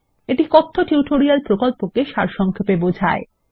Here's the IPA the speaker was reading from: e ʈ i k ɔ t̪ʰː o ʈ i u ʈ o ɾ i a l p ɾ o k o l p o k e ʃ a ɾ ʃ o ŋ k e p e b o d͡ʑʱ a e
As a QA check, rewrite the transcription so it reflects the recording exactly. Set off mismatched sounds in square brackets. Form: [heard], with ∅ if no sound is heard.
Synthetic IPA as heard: e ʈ i k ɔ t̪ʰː o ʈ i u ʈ o ɾ i a l p ɾ o k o l p o k e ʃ a ɾ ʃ [ɔ] ŋ [kʰ] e p e b o d͡ʑʱ a e